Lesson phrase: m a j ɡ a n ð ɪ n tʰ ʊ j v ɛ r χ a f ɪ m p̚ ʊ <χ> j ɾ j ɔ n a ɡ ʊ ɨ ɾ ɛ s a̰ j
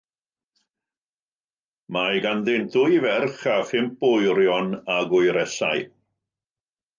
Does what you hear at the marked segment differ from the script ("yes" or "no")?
yes